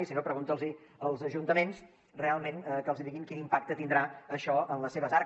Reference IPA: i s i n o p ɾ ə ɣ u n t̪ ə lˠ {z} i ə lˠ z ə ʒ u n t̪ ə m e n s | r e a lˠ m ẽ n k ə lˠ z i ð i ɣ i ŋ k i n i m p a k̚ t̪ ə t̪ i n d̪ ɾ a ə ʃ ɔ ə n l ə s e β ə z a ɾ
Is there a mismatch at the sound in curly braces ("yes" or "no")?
no